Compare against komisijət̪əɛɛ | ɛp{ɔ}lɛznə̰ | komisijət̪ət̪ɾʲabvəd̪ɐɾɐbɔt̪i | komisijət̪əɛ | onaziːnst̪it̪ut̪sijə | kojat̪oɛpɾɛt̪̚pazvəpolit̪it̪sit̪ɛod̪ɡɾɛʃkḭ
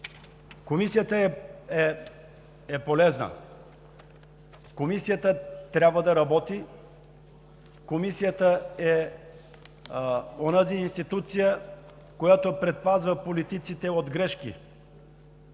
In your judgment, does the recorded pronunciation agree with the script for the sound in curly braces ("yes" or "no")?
no